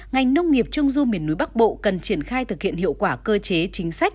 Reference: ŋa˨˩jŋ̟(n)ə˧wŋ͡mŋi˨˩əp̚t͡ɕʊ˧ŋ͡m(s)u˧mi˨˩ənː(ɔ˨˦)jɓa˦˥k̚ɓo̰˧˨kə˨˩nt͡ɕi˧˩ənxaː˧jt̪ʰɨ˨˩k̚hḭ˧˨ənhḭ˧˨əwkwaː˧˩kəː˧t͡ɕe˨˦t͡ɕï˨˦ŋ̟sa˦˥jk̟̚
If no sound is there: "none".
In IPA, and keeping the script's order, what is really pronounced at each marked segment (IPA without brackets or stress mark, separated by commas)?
n, z, u˨˦